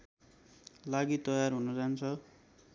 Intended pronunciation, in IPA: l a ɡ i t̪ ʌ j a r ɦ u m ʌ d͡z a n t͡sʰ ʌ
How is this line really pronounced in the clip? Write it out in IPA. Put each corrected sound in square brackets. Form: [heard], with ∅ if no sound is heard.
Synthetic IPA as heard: l a ɡ i t̪ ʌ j a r ɦ u [n] ʌ d͡z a n t͡sʰ ʌ